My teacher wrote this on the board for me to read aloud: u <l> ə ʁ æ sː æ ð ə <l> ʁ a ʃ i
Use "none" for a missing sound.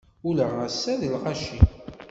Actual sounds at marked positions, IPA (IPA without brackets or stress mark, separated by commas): l, l